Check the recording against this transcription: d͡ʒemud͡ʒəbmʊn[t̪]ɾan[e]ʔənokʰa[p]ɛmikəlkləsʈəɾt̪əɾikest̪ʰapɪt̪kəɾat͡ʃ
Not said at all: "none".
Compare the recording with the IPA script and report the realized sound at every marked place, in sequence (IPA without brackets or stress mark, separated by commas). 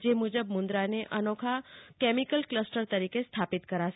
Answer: d̪, e, k